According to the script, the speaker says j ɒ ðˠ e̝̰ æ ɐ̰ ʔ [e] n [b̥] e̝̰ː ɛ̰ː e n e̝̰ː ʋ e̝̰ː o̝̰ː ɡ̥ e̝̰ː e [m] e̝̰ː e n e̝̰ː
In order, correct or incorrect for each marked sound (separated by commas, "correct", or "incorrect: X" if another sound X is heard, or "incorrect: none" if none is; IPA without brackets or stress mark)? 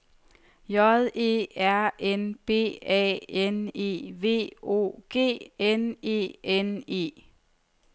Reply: correct, correct, incorrect: n